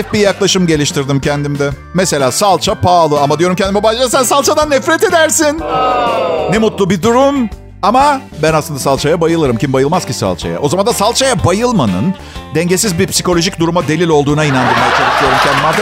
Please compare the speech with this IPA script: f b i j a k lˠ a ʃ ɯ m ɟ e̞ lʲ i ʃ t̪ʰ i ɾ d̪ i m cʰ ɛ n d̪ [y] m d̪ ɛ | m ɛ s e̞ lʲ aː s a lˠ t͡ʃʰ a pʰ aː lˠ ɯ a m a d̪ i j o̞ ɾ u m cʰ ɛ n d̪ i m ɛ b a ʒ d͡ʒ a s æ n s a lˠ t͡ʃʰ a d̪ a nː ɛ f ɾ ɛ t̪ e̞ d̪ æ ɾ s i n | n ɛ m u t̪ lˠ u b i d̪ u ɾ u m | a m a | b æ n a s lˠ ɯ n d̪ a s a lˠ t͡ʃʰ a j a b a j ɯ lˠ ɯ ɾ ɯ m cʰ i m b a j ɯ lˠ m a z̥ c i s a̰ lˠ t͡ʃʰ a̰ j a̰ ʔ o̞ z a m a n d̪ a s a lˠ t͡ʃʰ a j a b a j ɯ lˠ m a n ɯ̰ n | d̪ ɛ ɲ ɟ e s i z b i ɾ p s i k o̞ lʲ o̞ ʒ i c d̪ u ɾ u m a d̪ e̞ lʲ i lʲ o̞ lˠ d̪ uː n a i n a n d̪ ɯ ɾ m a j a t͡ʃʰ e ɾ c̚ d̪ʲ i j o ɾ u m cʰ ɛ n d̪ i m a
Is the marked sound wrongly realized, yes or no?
yes